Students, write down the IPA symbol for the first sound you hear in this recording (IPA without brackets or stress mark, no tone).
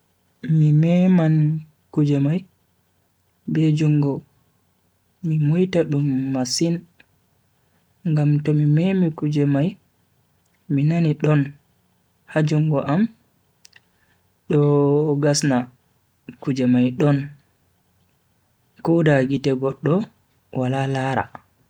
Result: m